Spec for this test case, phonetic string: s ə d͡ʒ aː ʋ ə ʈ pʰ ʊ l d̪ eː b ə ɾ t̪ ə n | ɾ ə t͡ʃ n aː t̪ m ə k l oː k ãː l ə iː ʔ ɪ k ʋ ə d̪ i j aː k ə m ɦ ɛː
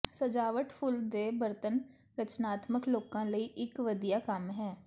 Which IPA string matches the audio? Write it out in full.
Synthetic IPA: s ə d͡ʒ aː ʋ ə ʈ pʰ ʊ l d̪ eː b ə ɾ t̪ ə n | ɾ ə t͡ʃ n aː t̪ m ə k l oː k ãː l ə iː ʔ ɪ k ʋ ə d̪ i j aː k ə m ɦ ɛː